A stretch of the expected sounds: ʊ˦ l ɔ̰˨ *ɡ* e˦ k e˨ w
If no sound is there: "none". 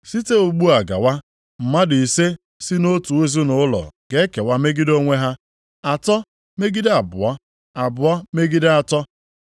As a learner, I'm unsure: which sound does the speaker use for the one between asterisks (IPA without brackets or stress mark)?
ɡ